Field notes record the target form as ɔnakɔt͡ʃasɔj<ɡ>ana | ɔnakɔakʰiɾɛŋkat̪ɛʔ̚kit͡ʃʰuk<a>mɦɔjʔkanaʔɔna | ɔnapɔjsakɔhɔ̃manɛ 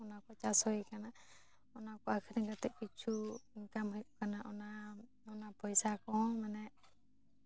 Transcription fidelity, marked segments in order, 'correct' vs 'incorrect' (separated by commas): incorrect, correct